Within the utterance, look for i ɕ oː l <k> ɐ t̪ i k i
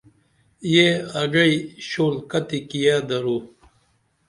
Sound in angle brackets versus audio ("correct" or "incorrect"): correct